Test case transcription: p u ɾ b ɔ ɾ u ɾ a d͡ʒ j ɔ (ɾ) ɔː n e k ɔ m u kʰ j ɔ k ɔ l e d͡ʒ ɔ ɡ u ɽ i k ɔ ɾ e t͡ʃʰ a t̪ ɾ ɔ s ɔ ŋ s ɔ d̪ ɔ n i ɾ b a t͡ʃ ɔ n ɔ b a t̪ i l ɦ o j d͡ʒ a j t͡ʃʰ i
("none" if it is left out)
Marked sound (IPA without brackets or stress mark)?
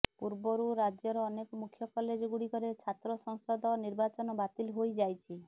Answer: ɾ